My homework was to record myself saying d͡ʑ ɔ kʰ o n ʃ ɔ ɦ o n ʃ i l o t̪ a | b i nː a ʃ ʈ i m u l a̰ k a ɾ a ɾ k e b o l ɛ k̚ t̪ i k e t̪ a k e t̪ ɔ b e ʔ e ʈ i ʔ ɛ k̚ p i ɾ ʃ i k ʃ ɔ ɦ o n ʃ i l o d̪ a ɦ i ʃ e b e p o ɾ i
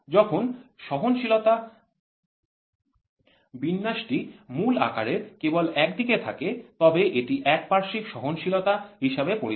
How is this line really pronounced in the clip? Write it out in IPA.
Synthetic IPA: d͡ʑ ɔ kʰ o n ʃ ɔ ɦ o n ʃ i l o t̪ a | b i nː a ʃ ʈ i m u l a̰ k a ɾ e ɾ k e b o l ɛ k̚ d̪ i k e t̪ʰ a k e t̪ ɔ b e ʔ e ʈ i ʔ ɛ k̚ p a ɾ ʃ i k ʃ ɔ ɦ o n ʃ i l o t̪ a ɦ i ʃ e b e p o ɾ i

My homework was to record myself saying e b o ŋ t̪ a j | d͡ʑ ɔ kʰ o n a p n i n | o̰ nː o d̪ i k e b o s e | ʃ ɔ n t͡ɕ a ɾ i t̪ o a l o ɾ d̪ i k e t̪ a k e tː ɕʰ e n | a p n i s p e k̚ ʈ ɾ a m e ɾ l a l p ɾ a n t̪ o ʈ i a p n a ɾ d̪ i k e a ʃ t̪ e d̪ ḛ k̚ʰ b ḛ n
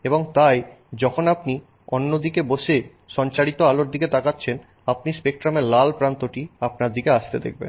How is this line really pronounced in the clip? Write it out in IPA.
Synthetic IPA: e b o ŋ t̪ a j | d͡ʑ ɔ kʰ o n a p n i | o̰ nː o d̪ i k e b o ʃ e | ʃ ɔ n t͡ɕ a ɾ i t̪ o a l o ɾ d̪ i k e t̪ a k a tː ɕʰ e n | a p n i s p e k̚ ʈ ɾ a m e ɾ l a l p ɾ a n t̪ o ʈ i a p n a ɾ d̪ i k e a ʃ t̪ e d̪ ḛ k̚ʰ b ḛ n

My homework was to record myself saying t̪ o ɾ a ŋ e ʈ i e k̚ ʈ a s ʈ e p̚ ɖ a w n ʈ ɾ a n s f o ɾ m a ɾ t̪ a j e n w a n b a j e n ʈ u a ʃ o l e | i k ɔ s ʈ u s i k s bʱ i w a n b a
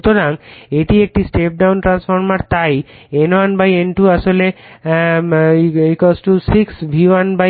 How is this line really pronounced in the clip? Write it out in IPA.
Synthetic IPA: t̪ o ɾ a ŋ e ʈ i e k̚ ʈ i s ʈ e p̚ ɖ a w n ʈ ɾ a n s f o ɾ m a ɾ t̪ a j e n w a n b a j e n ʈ u a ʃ o l e | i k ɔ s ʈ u s i k s bʱ i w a n b a

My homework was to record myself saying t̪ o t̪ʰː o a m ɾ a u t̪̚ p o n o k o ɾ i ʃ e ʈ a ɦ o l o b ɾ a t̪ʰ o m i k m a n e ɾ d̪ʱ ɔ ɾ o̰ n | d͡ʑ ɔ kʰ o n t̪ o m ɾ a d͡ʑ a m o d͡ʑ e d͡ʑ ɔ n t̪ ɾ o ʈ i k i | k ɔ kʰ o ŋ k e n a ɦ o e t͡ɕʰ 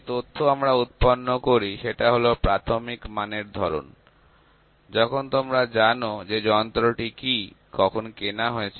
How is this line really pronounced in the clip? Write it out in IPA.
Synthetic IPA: t̪ o t̪ʰː o a m ɾ a u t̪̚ p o nː o k o ɾ i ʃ e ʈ a ɦ o l o p ɾ a t̪ʰ o m i k m a n e ɾ d̪ʱ ɔ ɾ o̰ n | d͡ʑ ɔ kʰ o n t̪ o m ɾ a d͡ʑ a n o d͡ʑ e d͡ʑ ɔ n t̪ ɾ o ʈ i k i | k ɔ kʰ o n k e n a ɦ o e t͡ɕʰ

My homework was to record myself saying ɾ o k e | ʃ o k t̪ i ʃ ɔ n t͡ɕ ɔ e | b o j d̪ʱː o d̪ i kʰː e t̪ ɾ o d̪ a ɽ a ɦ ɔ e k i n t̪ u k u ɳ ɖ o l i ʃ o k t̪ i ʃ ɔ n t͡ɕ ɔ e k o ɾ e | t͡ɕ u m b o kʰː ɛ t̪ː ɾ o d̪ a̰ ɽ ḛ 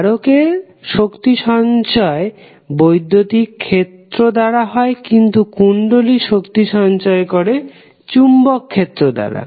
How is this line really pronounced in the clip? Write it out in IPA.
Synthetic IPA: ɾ o k e | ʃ o k t̪ i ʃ ɔ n t͡ɕ ɔ e | b o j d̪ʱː o t̪ i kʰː e t̪ ɾ o d̪ a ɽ a ɦ ɔ e k i n t̪ u k u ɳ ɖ o l i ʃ o k t̪ i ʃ ɔ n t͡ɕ ɔ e k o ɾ e | t͡ɕ u m b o kʰː e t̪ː ɾ o d̪ a̰ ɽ a̰

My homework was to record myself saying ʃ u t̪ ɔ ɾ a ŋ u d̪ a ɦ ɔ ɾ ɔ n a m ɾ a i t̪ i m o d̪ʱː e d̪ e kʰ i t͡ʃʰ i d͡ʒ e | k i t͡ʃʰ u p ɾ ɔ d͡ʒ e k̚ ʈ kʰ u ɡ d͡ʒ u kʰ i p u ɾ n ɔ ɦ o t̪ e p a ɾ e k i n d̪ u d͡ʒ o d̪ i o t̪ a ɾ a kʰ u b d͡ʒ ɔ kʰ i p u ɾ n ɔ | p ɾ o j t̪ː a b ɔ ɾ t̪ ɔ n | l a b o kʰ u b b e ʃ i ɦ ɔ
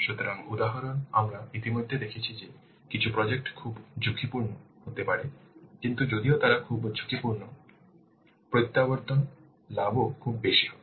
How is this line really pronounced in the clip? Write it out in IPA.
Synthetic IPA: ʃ u t̪ ɔ ɾ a ŋ u d̪ a ɦ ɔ ɾ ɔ n a m ɾ a i t̪ i m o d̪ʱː e d̪ e kʰ i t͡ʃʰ i d͡ʒ e | k i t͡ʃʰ u p ɾ ɔ d͡ʒ e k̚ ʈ kʰ u b d͡ʒ u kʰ i p u ɾ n ɔ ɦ o t̪ e p a ɾ e k i n t̪ u d͡ʒ o d̪ i o t̪ a ɾ a kʰ u b d͡ʒ u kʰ i p u ɾ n ɔ | p ɾ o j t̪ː a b ɔ ɾ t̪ ɔ n | l a b o kʰ u b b e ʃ i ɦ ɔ

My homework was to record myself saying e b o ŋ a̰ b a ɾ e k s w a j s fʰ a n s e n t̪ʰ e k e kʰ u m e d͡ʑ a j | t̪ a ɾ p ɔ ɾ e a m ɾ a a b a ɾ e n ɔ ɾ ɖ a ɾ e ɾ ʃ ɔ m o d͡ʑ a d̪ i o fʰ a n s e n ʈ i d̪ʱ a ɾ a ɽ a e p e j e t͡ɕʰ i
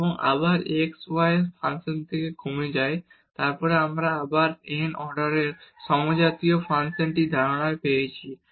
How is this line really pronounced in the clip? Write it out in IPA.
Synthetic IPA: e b o ŋ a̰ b a ɾ e k s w a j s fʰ a n s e n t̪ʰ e k e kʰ u m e d͡ʑ a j | t̪ a ɾ p ɔ ɾ e a m ɾ a a b a ɾ e n ɔ ɾ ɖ a ɾ e ɾ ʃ ɔ m o d͡ʑ a t̪ i o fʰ a n s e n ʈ i d̪ʱ a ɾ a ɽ a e p e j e t͡ɕʰ i

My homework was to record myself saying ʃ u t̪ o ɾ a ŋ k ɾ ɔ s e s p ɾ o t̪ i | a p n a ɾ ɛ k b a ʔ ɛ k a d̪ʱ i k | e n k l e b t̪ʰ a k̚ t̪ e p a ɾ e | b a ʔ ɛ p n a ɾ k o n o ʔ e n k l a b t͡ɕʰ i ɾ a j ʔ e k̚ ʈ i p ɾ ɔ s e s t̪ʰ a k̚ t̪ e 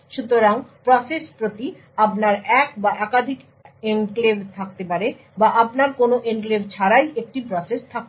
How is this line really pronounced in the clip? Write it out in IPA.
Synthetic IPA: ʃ u t̪ o ɾ a ŋ p ɾ ɔ s e s p ɾ o t̪ i | a p n a ɾ ɛ k b a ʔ ɛ k a d̪ʱ i k | e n k l e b t̪ʰ a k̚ t̪ e p a ɾ e | b a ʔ a p n a ɾ k o n o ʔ e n k l e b t͡ɕʰ a ɾ a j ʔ e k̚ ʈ i p ɾ ɔ s e s t̪ʰ a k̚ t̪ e

